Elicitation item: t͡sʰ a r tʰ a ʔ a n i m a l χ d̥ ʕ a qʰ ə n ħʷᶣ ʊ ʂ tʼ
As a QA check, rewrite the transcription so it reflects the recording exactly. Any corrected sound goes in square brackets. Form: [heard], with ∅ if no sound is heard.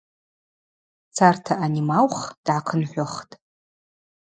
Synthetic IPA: t͡sʰ a r tʰ a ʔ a n i m a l χ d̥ ʕ a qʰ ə n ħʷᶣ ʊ [χ] tʼ